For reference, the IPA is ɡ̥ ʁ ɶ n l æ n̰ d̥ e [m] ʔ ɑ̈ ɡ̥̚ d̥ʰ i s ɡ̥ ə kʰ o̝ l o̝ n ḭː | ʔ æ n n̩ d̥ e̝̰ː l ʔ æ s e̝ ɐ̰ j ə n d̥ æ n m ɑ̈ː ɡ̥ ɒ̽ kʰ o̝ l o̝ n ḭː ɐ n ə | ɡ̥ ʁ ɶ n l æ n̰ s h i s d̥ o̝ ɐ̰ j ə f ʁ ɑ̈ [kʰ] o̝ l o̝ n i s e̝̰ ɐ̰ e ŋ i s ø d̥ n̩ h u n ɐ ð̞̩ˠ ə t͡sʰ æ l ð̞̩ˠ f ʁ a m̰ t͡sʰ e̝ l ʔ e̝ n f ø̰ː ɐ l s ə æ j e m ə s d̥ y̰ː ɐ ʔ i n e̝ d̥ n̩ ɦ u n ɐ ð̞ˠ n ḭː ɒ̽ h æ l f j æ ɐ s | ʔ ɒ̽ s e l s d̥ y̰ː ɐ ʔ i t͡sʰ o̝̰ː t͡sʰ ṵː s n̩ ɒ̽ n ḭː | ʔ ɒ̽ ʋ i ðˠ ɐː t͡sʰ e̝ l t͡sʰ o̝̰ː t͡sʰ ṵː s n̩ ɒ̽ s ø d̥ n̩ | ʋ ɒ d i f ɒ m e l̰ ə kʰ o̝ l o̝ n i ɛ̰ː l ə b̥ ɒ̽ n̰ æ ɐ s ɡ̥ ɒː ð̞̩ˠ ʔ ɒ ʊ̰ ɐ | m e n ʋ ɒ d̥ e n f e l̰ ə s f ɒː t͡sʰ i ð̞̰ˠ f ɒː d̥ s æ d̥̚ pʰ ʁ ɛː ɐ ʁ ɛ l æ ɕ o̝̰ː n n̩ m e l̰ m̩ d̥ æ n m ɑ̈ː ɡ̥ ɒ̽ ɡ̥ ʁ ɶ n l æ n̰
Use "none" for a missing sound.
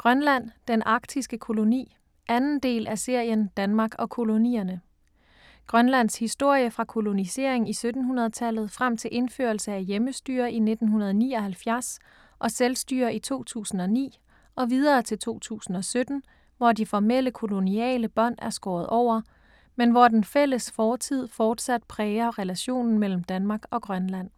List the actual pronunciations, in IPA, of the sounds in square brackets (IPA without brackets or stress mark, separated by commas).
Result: n, kʰ